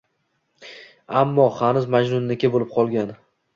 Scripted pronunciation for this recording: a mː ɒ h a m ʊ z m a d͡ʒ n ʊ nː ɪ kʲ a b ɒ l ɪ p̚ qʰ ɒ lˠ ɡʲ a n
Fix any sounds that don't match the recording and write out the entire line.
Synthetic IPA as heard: a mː ɒ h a n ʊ z m a d͡ʒ n ʊ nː ɪ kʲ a b o l ɪ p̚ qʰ ɒ lˠ ɡʲ a n